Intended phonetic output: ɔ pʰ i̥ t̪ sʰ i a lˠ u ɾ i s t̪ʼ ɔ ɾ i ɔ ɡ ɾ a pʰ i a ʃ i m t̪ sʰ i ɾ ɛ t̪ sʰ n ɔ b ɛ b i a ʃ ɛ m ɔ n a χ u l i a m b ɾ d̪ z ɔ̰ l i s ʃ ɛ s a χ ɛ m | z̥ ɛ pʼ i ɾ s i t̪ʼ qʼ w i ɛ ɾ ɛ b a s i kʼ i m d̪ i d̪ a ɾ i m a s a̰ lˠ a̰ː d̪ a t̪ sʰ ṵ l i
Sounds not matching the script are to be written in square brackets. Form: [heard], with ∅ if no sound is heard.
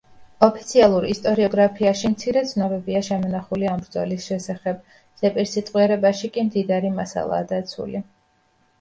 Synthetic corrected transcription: ɔ pʰ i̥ t̪ sʰ i a lˠ u ɾ i s t̪ʼ ɔ ɾ i ɔ ɡ ɾ a pʰ i a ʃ i m t̪ sʰ i ɾ ɛ t̪ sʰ n ɔ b ɛ b i a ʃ ɛ m ɔ n a χ u l i a m b ɾ d̪ z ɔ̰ l i s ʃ ɛ s a χ ɛ [b] | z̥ ɛ pʼ i ɾ s i t̪ʼ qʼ w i ɛ ɾ ɛ b a [ʃ] i kʼ i m d̪ i d̪ a ɾ i m a s a̰ lˠ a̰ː d̪ a t̪ sʰ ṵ l i